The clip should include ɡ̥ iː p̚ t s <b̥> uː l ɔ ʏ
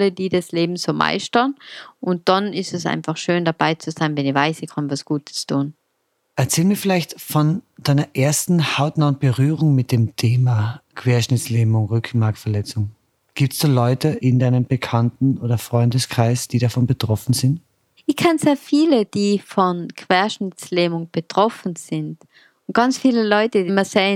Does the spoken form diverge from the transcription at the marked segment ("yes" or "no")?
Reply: yes